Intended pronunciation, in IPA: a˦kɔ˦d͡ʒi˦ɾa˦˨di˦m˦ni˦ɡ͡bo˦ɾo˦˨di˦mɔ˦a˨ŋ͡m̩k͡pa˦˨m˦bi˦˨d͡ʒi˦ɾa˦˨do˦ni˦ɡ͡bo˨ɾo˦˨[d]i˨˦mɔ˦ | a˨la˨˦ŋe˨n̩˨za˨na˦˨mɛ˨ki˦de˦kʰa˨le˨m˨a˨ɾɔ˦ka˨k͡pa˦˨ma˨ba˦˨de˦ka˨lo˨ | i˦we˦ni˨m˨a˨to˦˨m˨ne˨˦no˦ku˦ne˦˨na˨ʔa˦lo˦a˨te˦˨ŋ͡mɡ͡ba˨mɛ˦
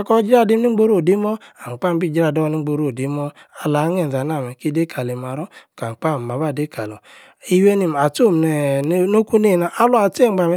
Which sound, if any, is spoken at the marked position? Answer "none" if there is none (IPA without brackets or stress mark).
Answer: d